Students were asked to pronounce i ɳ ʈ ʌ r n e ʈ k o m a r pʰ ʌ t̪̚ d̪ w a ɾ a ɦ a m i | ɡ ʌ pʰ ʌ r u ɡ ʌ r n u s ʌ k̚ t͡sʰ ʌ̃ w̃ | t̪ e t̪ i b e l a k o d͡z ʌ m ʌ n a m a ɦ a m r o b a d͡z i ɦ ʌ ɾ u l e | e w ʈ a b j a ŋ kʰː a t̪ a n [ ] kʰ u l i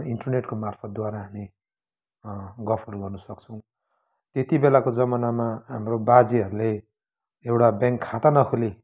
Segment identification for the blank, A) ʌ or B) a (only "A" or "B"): A